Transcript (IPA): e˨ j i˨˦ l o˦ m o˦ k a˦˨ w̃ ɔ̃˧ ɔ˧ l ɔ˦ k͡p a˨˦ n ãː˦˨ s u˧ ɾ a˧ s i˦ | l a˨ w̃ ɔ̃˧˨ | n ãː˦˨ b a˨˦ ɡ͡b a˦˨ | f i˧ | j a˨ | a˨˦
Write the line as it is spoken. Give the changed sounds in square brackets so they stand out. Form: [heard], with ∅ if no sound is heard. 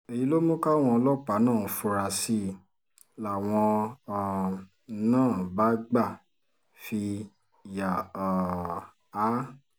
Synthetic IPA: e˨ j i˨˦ l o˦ m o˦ k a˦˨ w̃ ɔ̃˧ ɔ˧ l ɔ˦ k͡p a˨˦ n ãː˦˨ [f] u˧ ɾ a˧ s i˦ | l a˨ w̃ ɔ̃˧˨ | n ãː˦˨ b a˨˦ ɡ͡b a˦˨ | f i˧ | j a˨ | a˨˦